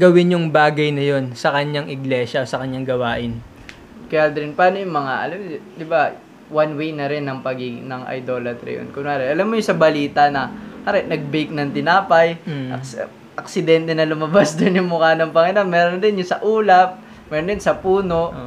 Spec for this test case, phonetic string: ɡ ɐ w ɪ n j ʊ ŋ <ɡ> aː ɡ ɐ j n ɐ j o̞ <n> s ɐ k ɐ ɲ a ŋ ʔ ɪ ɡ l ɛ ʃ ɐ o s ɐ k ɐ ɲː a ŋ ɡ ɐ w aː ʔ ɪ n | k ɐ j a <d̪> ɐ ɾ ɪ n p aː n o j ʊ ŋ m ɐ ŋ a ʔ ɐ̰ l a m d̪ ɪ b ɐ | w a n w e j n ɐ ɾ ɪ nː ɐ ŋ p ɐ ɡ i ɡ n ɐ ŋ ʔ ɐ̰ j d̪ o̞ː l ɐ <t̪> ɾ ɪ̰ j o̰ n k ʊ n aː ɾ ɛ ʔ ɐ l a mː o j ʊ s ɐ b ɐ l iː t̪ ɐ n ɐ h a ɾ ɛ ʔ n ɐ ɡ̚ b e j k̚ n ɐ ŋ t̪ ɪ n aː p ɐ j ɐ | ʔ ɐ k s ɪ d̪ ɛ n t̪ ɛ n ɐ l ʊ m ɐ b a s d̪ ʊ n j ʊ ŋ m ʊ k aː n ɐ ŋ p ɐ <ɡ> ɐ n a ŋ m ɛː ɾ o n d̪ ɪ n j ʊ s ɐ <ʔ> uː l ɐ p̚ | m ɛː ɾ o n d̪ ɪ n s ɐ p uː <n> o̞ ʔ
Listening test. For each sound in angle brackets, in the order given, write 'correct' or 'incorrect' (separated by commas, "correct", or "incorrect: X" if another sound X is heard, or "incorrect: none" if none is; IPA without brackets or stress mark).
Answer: incorrect: b, correct, correct, correct, incorrect: ŋ, correct, correct